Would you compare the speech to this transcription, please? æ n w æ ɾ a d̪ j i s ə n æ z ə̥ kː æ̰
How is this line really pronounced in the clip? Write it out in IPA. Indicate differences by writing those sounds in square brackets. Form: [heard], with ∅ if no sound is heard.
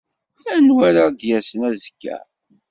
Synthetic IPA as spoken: æ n w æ ɾ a d̪ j [æ] s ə n æ z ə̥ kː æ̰